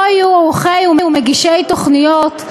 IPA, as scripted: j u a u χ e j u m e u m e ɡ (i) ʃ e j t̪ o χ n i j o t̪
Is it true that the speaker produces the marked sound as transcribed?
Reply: yes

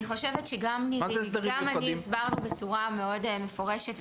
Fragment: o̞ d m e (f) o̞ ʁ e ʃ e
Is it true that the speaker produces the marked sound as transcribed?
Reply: yes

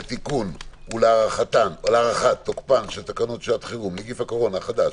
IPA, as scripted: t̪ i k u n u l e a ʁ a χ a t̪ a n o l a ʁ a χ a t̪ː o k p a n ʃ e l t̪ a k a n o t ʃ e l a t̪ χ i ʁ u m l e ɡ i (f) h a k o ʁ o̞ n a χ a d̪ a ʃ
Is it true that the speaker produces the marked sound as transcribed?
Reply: yes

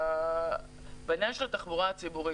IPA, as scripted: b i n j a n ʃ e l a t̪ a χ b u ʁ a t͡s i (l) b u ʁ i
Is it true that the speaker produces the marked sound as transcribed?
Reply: no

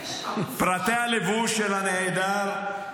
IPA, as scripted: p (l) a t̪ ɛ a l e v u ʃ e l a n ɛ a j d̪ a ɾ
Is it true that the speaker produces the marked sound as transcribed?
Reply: no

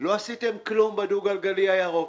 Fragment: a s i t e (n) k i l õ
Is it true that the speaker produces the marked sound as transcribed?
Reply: no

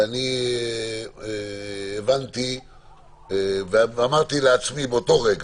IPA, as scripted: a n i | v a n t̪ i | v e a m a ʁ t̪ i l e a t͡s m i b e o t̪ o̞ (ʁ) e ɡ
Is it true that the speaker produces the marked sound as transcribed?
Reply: yes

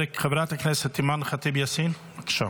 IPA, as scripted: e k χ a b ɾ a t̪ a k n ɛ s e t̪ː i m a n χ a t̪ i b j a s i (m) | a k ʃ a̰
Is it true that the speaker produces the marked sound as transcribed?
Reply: no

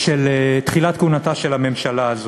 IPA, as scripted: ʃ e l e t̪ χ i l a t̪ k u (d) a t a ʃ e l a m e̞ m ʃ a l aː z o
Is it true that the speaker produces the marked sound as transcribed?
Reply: no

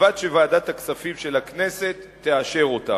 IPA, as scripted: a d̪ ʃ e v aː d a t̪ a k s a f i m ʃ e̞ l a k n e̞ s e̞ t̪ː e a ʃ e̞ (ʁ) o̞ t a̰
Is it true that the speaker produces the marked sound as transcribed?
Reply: yes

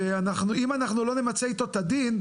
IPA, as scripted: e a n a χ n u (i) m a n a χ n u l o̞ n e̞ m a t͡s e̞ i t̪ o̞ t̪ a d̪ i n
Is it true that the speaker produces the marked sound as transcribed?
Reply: yes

